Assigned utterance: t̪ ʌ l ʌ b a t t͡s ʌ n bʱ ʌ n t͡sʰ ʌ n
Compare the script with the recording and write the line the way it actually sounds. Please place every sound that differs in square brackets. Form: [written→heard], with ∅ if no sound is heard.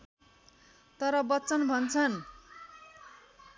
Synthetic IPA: t̪ ʌ [l→ɾ] ʌ b [a→ʌ] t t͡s ʌ n bʱ ʌ n t͡sʰ ʌ n